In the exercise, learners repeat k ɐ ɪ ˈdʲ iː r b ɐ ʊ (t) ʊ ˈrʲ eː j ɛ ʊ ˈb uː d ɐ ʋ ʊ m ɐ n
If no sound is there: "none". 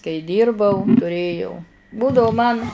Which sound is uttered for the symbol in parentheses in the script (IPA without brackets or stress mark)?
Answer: t